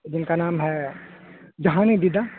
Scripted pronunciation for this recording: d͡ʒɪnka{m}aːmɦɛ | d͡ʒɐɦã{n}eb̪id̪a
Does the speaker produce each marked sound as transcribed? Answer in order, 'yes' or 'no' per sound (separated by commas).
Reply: no, yes